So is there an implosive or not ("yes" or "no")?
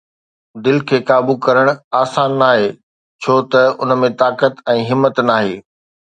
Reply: no